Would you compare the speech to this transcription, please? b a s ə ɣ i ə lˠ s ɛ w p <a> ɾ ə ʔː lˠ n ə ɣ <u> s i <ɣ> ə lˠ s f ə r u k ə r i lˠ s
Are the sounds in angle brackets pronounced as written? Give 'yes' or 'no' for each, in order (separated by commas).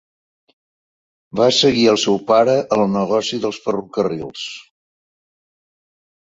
yes, no, no